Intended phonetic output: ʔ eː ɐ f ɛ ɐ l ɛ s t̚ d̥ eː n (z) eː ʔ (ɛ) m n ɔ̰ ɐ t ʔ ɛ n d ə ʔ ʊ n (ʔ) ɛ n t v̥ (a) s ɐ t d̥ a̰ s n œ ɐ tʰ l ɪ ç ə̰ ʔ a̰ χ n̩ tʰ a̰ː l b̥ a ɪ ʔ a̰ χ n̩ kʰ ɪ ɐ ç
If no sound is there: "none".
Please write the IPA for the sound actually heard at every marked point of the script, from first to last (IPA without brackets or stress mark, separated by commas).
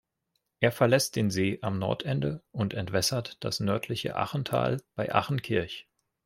z, a, t, ɛ